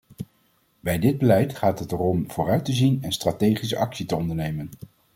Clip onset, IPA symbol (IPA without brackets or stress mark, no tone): b